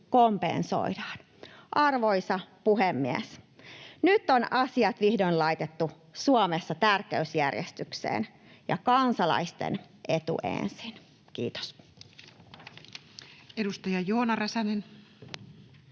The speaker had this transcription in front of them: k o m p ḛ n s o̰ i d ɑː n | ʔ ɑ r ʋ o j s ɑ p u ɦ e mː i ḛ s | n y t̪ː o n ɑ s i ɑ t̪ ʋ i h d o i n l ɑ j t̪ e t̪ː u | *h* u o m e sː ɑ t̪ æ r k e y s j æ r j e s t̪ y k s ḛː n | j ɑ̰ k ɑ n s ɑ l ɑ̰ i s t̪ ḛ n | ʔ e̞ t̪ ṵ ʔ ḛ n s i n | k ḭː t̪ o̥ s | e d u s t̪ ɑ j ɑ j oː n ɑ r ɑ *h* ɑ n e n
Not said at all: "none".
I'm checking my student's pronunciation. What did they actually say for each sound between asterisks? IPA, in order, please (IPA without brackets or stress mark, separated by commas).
s, s